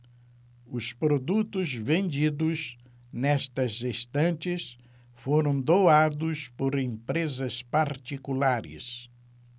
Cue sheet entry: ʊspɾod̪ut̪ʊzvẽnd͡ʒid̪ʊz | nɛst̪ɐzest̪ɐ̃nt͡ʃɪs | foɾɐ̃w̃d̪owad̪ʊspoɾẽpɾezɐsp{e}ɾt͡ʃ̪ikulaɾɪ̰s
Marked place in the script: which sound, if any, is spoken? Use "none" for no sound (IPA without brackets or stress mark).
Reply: a